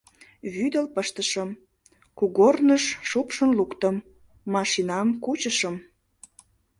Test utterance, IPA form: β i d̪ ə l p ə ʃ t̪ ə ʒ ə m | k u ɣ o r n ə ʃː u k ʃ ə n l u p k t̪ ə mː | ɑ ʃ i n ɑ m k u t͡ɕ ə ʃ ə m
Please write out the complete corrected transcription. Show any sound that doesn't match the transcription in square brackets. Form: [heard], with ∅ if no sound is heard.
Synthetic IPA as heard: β [y] d̪ ə l p ə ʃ t̪ ə [ʃ] ə m | k u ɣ o r n ə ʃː u [p] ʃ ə n l u [∅] k t̪ ə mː | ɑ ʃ i n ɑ m k u t͡ɕ ə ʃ ə m